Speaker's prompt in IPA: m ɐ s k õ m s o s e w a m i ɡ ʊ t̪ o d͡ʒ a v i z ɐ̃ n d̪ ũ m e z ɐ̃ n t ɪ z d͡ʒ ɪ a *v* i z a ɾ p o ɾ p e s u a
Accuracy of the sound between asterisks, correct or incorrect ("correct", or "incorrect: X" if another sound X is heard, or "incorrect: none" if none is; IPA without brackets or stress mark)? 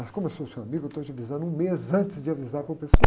correct